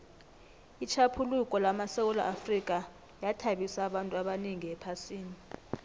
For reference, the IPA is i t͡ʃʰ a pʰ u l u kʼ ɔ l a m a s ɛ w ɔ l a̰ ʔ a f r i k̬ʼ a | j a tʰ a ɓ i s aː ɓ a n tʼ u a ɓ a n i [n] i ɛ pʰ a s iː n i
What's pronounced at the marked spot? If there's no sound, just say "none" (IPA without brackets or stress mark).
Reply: ŋ